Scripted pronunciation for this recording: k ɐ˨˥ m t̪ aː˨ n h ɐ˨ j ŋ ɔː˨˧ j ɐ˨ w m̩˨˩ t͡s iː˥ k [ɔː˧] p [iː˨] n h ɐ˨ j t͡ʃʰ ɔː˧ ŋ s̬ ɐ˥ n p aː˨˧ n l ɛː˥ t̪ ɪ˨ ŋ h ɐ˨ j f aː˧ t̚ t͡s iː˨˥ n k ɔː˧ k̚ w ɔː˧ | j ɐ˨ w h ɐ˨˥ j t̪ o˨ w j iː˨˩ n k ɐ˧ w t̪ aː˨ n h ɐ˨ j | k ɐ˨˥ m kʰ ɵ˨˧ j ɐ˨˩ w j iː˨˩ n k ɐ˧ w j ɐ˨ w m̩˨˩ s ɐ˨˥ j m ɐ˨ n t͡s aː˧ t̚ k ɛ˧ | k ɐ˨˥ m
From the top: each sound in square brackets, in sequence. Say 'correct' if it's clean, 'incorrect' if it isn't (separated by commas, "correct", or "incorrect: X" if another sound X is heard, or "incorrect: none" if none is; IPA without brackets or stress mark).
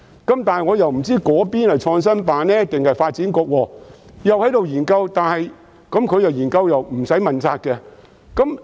incorrect: ɔː˨˥, incorrect: iː˥